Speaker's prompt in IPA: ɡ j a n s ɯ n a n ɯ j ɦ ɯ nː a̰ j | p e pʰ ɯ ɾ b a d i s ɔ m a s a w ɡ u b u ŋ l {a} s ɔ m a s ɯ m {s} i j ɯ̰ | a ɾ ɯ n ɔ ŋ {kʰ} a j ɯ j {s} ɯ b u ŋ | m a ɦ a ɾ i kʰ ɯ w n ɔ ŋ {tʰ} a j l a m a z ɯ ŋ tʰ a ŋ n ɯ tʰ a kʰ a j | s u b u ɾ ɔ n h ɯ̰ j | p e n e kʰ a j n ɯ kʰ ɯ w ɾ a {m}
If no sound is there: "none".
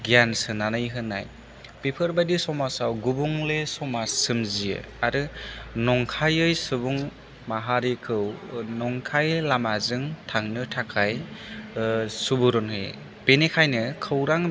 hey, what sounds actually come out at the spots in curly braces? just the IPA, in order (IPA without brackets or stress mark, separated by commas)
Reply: e, z, kʰ, s, kʰ, ŋ